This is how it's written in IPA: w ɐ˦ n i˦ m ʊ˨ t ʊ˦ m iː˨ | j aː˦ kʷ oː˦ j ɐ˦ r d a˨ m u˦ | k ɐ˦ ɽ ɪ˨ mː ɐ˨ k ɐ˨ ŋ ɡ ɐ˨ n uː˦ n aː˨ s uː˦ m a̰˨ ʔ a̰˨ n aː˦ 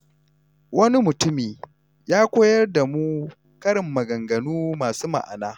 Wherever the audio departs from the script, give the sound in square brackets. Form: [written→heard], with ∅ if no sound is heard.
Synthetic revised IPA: w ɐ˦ n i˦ m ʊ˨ t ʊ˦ m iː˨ | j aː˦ kʷ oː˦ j ɐ˦ r d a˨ m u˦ | k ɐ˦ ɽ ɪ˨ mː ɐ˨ [k→ɡ] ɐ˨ ŋ ɡ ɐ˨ n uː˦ [n→m] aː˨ s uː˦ m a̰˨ ʔ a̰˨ n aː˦